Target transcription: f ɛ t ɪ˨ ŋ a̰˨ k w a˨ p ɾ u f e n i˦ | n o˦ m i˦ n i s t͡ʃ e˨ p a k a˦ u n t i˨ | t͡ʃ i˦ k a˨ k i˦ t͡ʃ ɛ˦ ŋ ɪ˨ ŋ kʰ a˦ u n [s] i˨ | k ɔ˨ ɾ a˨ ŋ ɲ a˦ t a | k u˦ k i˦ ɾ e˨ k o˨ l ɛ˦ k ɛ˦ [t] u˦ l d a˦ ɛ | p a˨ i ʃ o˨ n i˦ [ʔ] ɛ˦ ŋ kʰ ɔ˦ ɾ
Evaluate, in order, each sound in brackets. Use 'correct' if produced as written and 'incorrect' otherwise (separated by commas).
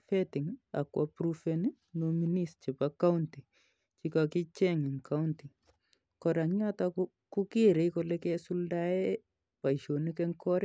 incorrect, incorrect, incorrect